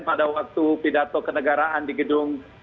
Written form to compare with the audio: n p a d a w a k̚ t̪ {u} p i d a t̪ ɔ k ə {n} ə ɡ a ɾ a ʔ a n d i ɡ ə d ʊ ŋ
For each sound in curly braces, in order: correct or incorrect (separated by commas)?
correct, correct